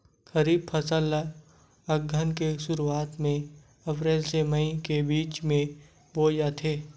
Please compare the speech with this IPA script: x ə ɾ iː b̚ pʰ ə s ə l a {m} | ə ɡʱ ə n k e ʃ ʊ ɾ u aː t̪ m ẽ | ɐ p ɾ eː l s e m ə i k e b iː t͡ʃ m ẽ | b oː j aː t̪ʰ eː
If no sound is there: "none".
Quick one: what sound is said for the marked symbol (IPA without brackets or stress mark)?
none